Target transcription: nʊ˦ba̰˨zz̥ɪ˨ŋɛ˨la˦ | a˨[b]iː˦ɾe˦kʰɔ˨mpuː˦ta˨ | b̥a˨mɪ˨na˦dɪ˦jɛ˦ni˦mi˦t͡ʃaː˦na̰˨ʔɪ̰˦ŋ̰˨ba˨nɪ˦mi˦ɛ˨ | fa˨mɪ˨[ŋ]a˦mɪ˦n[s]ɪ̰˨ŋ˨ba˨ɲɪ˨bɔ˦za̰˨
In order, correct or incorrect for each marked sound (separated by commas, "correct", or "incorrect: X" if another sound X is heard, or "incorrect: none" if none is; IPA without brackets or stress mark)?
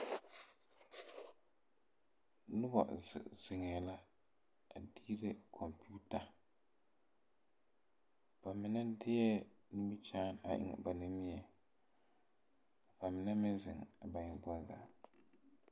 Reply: incorrect: d, incorrect: n, incorrect: z